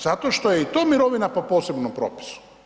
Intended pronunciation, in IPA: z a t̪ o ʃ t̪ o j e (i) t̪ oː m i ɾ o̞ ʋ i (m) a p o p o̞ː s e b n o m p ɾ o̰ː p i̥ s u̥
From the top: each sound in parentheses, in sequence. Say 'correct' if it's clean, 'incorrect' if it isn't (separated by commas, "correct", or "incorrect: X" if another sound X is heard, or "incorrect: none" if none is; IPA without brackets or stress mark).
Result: correct, incorrect: n